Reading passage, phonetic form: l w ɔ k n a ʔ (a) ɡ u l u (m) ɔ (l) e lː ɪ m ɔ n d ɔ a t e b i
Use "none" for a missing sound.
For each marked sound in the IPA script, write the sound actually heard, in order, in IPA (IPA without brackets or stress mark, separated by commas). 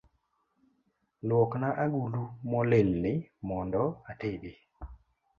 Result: a, m, l